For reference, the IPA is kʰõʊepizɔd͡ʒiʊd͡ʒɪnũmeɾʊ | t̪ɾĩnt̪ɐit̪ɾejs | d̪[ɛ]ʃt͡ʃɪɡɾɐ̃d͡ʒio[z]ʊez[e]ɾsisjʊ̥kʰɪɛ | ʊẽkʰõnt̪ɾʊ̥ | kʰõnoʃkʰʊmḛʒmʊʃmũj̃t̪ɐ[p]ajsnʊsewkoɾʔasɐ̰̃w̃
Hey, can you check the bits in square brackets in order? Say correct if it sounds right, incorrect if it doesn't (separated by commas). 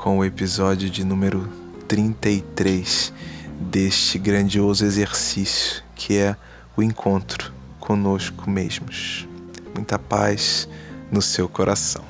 incorrect, correct, correct, correct